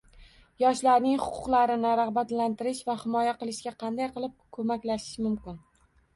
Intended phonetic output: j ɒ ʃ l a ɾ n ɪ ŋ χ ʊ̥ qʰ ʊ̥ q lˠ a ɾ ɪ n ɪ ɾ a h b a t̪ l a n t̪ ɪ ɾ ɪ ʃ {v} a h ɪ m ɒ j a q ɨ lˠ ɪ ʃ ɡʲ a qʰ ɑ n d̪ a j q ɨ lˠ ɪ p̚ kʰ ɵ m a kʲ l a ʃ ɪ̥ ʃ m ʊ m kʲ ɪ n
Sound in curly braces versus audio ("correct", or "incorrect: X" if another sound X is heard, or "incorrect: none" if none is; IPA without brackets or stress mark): correct